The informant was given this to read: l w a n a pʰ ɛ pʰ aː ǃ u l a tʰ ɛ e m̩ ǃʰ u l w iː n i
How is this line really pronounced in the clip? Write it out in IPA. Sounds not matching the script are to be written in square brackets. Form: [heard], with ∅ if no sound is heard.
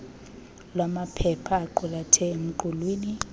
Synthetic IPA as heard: l w a [m] a pʰ ɛ pʰ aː ǃ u l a tʰ ɛ e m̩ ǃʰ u l w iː n i